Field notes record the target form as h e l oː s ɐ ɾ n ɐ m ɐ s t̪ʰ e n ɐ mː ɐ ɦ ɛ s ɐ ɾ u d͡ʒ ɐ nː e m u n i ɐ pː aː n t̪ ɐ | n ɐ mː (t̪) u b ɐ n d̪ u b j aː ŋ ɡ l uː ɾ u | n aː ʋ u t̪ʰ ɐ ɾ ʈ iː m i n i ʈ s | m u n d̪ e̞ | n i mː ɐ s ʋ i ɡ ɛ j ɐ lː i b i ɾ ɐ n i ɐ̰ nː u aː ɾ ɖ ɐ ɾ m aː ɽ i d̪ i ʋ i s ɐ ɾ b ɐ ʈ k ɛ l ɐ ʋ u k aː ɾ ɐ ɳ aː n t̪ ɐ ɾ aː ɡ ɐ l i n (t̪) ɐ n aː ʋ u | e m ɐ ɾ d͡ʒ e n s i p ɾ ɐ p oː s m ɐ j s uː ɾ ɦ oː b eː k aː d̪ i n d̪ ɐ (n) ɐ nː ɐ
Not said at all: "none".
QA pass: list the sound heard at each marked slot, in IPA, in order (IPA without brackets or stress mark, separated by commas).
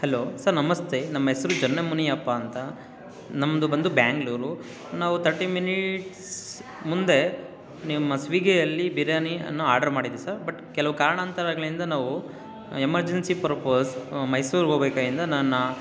d̪, d̪, n